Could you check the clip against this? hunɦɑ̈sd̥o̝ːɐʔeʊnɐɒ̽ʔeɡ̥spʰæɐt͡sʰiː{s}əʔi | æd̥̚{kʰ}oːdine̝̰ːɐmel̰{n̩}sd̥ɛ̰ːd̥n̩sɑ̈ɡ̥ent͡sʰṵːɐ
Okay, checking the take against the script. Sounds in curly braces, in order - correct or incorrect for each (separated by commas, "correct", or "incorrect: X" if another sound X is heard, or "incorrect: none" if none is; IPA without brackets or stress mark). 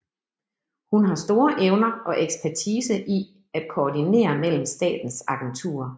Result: correct, correct, incorrect: m̩